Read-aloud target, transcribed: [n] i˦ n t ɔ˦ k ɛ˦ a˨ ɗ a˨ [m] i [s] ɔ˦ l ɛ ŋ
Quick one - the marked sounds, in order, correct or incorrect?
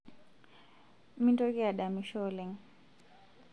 incorrect: m, correct, incorrect: ʃ

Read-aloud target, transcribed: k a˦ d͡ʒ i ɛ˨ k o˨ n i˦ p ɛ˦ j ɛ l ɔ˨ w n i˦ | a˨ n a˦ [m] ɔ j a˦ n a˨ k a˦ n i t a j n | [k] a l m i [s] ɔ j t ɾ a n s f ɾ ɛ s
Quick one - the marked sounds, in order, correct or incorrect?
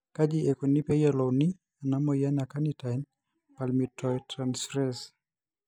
correct, incorrect: p, incorrect: t

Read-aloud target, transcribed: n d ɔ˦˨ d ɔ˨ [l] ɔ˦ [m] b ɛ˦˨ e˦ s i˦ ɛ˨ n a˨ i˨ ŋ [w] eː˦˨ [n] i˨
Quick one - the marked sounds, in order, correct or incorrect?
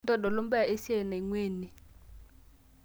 correct, correct, correct, correct

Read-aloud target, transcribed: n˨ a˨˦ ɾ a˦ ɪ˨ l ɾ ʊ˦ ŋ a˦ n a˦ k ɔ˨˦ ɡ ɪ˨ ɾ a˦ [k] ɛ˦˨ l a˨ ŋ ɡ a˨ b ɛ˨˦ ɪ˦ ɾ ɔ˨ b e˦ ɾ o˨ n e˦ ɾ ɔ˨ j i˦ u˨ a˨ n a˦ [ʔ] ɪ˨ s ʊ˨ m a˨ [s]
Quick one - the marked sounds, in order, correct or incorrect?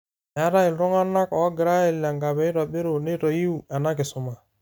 incorrect: none, incorrect: k, incorrect: none

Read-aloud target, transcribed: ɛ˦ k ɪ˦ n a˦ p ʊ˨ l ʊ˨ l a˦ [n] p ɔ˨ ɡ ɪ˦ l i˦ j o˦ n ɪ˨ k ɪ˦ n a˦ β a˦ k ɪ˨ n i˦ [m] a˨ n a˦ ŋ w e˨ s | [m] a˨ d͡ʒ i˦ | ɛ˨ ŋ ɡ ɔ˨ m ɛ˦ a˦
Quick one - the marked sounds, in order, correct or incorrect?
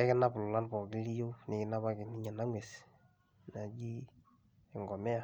correct, incorrect: ɲ, incorrect: n

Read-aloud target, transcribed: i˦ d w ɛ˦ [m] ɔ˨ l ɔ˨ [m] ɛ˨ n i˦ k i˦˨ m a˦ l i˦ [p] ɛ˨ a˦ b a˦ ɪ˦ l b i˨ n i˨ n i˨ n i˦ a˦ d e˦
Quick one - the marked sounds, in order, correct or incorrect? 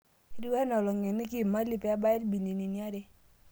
incorrect: n, incorrect: ŋ, correct

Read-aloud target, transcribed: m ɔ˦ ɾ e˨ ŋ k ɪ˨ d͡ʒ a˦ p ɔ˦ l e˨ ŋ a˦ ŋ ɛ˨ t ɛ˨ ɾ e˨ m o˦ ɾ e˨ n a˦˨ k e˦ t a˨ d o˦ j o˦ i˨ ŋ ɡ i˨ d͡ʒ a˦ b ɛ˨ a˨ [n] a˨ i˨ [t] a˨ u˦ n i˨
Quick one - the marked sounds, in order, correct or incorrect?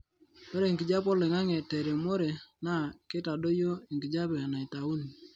correct, correct

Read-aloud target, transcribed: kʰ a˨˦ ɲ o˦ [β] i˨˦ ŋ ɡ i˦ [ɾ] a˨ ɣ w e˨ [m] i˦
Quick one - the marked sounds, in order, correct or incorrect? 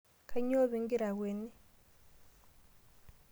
correct, correct, incorrect: n

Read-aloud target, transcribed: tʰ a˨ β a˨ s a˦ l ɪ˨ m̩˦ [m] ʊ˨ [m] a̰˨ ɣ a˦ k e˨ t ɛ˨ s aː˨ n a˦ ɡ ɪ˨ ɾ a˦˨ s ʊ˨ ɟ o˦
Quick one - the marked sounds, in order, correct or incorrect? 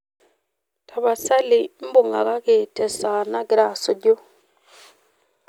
incorrect: b, incorrect: ŋ

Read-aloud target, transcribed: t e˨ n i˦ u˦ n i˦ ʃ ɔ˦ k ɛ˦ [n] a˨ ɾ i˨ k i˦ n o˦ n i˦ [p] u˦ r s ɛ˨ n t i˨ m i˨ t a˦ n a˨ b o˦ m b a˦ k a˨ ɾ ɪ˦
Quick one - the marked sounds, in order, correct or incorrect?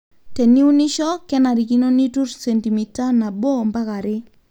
correct, incorrect: t

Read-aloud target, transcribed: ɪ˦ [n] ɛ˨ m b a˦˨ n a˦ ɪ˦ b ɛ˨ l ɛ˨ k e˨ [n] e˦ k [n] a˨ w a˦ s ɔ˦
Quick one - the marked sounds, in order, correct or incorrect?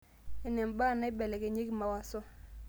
correct, incorrect: ɲ, incorrect: m

